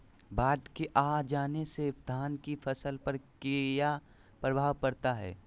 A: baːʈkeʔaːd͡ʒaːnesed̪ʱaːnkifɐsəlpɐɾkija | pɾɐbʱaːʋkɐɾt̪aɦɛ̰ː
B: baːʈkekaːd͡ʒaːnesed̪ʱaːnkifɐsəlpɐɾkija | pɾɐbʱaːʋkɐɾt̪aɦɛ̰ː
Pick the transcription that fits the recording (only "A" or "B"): A